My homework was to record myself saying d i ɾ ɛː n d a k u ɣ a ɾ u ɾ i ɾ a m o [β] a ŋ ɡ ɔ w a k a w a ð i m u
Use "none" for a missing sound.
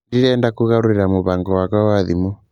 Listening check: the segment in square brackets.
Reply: β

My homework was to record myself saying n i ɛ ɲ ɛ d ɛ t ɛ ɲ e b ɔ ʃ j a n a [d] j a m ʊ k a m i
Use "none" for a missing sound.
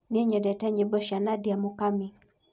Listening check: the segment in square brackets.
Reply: d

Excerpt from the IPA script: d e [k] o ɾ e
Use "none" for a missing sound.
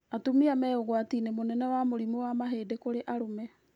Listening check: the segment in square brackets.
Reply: k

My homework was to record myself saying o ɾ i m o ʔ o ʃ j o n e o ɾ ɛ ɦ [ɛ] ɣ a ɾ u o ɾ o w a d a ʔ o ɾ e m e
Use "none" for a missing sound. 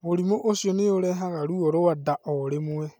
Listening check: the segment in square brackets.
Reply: a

